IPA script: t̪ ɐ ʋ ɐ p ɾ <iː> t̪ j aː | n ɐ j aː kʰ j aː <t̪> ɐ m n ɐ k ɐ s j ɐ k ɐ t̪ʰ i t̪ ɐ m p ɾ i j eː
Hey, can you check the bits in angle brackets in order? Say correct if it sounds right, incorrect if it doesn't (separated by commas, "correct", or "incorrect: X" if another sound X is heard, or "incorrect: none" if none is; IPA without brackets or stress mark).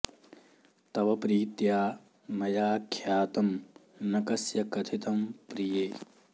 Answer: correct, correct